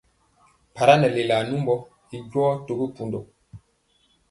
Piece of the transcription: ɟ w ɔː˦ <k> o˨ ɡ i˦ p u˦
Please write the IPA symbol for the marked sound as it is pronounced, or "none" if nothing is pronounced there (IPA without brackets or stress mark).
t